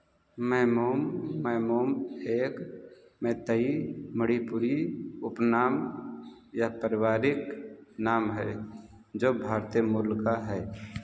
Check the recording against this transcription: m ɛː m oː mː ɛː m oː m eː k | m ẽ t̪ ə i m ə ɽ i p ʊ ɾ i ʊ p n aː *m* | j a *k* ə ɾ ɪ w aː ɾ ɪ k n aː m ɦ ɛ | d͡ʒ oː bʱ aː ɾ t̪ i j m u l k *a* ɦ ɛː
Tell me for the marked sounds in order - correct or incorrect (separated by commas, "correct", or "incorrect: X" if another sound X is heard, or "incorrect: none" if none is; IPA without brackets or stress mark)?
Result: correct, incorrect: p, correct